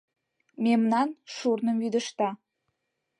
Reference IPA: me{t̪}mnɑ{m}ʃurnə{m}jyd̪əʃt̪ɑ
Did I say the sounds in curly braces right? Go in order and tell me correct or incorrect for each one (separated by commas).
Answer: incorrect, incorrect, correct